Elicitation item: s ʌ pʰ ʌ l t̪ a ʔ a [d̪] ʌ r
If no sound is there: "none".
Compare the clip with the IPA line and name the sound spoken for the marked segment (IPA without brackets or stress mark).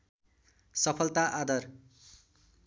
d̪